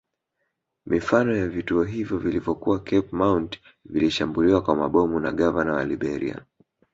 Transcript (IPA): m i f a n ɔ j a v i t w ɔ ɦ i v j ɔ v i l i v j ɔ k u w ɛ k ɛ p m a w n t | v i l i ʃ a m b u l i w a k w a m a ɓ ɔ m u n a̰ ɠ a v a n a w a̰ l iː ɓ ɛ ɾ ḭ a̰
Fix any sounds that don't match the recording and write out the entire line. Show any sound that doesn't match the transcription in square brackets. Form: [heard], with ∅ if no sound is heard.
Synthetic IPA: m i f a n ɔ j a v i t [u] ɔ ɦ i v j ɔ v i l i v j ɔ k u w [a] k ɛ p m a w n t | v i l i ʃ a m b u l i w a k w a m a ɓ ɔ m u n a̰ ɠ a v a n a w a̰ l [i] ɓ ɛ ɾ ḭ a̰